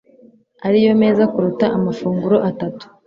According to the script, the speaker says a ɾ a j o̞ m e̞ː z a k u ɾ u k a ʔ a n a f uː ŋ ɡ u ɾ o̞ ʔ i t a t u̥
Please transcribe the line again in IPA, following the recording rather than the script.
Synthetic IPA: a ɾ i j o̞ m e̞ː z a k u ɾ u t a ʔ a m a f uː ŋ ɡ u ɾ o̞ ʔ a t a t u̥